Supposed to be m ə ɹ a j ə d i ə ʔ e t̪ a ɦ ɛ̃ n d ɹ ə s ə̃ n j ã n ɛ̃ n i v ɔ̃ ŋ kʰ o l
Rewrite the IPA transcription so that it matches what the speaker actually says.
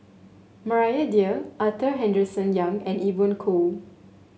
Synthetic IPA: m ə ɹ a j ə d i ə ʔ a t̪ ə ɦ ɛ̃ n d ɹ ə s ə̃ n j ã ŋ ɛ̃ n i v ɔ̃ n kʰ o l